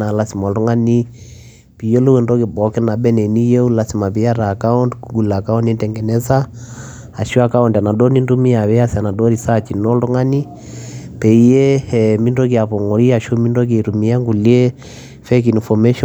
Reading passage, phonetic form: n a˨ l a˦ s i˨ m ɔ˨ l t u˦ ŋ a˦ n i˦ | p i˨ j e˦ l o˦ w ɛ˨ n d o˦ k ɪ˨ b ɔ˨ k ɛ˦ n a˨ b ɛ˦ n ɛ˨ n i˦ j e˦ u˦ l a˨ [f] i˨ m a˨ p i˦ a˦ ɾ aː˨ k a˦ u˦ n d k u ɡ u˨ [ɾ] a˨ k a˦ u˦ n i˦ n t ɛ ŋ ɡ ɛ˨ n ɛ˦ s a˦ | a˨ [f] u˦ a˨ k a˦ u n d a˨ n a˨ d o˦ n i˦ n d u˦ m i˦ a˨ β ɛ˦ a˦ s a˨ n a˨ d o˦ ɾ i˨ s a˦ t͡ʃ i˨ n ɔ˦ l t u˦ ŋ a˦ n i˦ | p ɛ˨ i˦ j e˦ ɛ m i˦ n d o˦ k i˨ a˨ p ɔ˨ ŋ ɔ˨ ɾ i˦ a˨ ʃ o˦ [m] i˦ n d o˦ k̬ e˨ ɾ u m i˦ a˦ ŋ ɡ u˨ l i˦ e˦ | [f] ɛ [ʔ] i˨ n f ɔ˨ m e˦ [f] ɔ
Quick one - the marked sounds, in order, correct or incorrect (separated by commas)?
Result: incorrect, incorrect, incorrect, correct, correct, incorrect, incorrect